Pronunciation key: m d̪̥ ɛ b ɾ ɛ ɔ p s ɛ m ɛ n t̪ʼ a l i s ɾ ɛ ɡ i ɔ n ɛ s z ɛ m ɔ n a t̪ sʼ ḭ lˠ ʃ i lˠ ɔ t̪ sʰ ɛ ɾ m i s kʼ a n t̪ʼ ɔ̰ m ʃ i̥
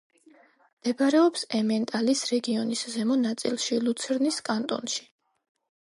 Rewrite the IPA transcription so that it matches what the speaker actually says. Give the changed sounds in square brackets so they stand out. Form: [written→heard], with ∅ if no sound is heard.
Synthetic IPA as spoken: m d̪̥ ɛ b ɾ ɛ ɔ p s ɛ m ɛ n t̪ʼ a l i s ɾ ɛ ɡ i ɔ n [ɛ→i] s z ɛ m ɔ n a t̪ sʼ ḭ lˠ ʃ i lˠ [ɔ→u] t̪ sʰ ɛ ɾ [m→n] i s kʼ a n t̪ʼ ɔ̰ [m→n] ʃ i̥